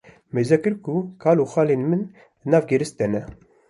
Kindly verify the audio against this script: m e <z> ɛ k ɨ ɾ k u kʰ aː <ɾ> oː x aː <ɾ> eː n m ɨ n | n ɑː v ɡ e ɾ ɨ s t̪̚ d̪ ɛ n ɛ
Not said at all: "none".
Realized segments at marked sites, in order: z, l, l

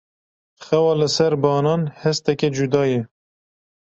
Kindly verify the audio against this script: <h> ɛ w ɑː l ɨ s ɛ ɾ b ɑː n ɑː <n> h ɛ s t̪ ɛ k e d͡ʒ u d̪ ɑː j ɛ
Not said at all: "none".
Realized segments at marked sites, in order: x, n

